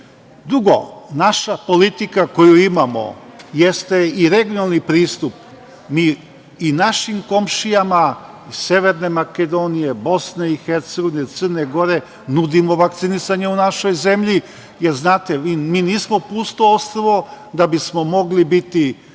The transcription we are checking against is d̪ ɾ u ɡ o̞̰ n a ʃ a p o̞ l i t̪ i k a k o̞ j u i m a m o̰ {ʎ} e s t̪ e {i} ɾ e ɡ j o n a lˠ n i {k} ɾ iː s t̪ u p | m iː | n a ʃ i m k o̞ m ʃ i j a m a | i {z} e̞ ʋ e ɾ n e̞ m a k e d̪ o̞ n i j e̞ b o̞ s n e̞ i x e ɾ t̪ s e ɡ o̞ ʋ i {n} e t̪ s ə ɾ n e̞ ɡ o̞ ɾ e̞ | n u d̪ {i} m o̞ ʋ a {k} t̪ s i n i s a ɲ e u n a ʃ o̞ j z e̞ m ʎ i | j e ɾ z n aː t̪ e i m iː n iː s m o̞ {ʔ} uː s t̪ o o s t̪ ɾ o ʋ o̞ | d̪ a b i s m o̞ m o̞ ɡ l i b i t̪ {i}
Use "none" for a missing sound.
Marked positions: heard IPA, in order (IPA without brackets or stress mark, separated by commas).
j, i, p, s, n, i, k, p, i